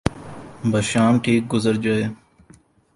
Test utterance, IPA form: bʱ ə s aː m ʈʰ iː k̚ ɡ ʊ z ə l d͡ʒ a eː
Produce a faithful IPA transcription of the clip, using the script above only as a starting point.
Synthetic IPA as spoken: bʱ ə ʃ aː m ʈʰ iː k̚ ɡ ʊ z ə ɾ d͡ʒ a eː